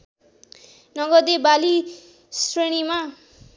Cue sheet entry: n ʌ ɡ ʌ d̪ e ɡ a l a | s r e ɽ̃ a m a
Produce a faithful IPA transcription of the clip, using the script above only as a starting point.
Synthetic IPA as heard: n ʌ ɡ ʌ d̪ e b a l i | s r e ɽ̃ i m a